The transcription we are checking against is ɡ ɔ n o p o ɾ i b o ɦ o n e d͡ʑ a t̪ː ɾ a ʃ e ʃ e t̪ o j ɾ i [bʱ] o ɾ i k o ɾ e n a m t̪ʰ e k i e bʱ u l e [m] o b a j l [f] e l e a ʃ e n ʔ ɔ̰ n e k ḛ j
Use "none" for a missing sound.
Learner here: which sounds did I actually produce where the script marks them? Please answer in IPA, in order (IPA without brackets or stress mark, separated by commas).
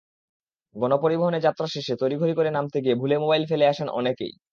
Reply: ɡʱ, m, f